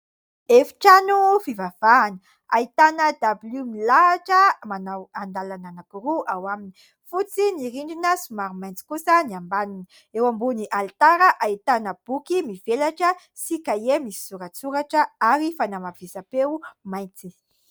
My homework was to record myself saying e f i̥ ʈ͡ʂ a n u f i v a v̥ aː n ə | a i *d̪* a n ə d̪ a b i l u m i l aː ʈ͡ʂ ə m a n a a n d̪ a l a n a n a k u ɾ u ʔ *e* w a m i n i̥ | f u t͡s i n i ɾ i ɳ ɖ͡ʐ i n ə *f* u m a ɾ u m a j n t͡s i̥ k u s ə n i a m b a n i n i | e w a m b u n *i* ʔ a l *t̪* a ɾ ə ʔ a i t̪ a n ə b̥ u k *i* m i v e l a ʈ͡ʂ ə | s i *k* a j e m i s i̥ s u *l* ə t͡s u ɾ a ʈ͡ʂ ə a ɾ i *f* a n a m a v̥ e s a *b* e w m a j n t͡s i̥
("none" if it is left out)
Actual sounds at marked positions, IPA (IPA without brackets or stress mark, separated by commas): t̪, a, s, i, t̪, i, k, ɾ, f, p